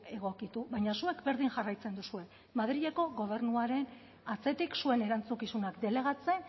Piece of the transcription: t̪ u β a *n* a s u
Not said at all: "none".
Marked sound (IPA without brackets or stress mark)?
ɲ